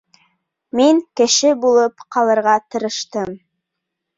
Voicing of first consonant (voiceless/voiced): voiced